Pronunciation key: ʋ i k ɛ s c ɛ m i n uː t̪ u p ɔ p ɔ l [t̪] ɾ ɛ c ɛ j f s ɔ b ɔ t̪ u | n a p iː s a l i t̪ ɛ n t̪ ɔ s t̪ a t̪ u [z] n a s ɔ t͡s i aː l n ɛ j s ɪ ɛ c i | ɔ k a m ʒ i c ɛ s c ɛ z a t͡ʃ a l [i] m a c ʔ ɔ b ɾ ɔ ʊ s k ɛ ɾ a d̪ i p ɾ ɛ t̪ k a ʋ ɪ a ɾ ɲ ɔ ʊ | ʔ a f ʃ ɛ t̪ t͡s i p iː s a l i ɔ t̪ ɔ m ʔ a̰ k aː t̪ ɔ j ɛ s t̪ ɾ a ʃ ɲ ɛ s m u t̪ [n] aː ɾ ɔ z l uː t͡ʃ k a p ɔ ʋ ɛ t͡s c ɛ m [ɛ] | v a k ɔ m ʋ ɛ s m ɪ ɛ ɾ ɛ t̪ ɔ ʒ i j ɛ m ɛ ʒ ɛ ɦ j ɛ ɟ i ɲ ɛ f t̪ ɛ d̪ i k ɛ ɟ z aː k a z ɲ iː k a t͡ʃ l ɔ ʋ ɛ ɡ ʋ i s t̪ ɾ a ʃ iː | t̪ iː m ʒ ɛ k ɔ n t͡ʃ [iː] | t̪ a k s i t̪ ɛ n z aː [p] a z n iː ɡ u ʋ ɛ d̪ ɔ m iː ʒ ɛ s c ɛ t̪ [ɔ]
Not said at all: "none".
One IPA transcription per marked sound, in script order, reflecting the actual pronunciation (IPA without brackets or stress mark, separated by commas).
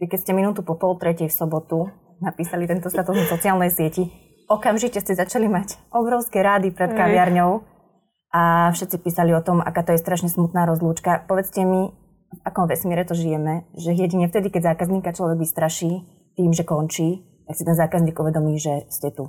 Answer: t̪, z, i, n, i, iː, k, u